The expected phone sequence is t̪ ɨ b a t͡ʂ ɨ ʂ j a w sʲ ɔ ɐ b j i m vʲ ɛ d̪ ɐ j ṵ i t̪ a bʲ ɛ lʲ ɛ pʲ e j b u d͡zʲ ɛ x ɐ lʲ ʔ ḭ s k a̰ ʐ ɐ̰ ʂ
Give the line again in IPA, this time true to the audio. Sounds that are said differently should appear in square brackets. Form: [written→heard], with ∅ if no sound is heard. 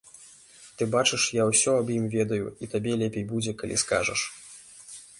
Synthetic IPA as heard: t̪ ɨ b a t͡ʂ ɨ ʂ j a w sʲ ɔ ɐ b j i m vʲ ɛ d̪ ɐ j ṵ i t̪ a bʲ ɛ lʲ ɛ pʲ e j b u d͡zʲ ɛ [x→k] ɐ lʲ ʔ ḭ s k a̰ ʐ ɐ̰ ʂ